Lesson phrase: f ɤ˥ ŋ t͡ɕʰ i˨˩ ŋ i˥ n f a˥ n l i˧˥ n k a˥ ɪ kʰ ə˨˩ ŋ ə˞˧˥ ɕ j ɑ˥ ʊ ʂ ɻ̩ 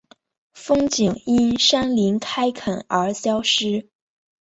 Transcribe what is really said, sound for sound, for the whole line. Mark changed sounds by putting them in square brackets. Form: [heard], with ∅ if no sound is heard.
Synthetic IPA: f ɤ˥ ŋ [t͡ɕ] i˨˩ ŋ i˥ n [ʂ] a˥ n l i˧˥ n [kʰ] a˥ ɪ kʰ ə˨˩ [n] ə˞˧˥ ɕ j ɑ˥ ʊ ʂ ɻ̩